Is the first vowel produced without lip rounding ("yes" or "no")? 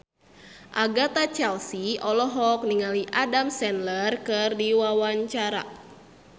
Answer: yes